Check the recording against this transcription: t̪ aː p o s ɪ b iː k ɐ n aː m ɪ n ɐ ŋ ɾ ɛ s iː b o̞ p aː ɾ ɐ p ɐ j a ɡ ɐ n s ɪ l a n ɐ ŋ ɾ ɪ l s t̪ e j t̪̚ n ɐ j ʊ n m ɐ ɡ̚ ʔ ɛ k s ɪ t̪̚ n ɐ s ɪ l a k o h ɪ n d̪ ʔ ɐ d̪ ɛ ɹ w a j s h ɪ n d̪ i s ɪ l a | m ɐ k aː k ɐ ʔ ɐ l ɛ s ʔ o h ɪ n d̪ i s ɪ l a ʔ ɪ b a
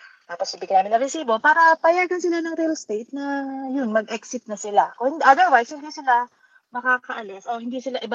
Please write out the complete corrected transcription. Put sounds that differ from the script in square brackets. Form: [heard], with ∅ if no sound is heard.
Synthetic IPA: t̪ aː p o s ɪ b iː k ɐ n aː m ɪ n ɐ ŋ ɾ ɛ s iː b o̞ p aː ɾ ɐ p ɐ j a ɡ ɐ n s ɪ l a n ɐ ŋ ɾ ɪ l s t̪ e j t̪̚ n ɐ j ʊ n m ɐ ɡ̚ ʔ ɛ k s ɪ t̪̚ n ɐ s ɪ l a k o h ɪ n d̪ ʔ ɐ d̪ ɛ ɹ w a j s h ɪ n d̪ i s ɪ l a | m ɐ k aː k ɐ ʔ ɐ l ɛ s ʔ o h ɪ n d̪ i s ɪ l a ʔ ɪ b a